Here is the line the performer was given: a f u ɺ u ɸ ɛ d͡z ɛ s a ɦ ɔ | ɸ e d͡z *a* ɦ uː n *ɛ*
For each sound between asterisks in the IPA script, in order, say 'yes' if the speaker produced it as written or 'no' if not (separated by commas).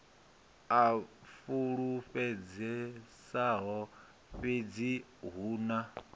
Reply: no, no